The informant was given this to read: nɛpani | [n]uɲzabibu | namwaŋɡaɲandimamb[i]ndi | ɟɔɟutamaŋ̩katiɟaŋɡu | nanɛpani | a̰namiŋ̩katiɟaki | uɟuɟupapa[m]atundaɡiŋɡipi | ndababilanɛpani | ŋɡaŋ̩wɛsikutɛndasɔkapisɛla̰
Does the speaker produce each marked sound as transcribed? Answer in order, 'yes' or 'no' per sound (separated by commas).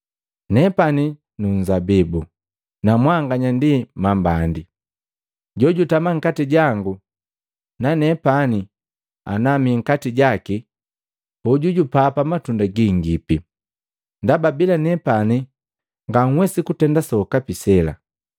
yes, no, yes